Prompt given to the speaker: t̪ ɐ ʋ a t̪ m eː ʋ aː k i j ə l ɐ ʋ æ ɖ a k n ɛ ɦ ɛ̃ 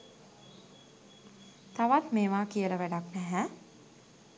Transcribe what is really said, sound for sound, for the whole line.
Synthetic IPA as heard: t̪ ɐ ʋ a t̪ m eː ʋ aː k i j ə l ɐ ʋ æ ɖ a k n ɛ ɦ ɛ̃

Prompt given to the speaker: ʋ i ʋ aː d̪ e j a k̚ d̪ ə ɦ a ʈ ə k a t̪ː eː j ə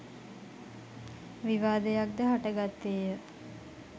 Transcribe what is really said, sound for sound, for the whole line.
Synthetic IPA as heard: ʋ i ʋ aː d̪ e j a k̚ d̪ ə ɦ a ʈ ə ɡ a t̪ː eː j ə

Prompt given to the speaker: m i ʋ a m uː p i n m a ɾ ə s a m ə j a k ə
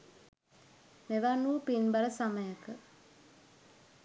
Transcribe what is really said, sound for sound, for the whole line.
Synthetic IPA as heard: m e ʋ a n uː p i n b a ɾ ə s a m ə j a k ə

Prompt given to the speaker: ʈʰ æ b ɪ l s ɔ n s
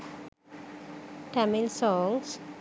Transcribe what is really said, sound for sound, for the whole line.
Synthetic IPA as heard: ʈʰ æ m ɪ l s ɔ ŋ s

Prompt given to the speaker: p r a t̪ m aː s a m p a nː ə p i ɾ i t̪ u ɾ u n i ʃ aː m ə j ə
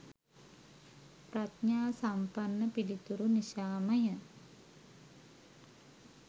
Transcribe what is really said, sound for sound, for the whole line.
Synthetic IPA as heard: p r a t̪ ɲ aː s a m p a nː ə p i l i t̪ u ɾ u n i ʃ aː m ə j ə

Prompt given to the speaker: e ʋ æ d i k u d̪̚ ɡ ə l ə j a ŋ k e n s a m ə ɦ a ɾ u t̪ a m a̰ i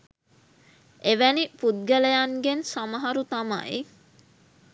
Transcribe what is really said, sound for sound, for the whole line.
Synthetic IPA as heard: e ʋ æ n i p u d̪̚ ɡ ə l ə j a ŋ ɡ e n s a m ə ɦ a ɾ u t̪ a m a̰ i

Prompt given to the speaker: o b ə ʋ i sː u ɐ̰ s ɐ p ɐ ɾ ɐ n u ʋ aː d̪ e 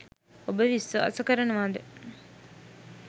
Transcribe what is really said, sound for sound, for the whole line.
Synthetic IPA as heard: o b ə ʋ i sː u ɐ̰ s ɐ k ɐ ɾ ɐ n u ʋ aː d̪ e

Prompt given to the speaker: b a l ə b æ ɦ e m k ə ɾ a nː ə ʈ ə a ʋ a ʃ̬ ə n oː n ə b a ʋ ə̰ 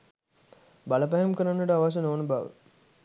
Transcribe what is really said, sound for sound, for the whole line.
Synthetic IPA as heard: b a l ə p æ ɦ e m k ə ɾ a nː ə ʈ ə a ʋ a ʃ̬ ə n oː n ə b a ʋ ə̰

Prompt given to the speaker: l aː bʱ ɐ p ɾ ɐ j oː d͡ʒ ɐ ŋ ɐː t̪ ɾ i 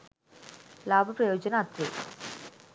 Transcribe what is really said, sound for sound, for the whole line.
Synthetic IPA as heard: l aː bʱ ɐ p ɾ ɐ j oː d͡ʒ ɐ n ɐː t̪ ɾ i

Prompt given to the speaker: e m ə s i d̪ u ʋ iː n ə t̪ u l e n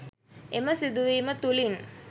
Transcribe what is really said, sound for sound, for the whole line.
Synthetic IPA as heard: e m ə s i d̪ u ʋ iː m ə t̪ u l i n

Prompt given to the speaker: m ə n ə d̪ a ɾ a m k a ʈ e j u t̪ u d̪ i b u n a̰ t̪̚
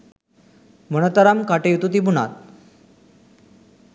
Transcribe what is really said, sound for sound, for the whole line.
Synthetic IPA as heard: m ə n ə t̪ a ɾ a m k a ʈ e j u t̪ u t̪ i b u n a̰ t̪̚

